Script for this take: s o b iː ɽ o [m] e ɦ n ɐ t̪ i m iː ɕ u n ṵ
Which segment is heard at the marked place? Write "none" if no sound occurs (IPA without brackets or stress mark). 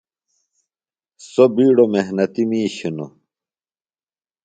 m